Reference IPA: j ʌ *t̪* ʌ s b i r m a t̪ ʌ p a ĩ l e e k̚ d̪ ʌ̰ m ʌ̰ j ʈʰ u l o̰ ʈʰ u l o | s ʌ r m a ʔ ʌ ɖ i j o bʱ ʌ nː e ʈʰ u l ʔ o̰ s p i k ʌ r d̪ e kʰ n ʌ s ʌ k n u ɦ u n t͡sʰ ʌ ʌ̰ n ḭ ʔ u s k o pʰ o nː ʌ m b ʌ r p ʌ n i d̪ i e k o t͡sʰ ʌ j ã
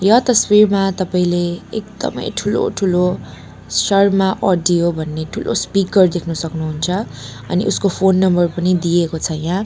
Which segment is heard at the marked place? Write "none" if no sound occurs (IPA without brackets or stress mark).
t̪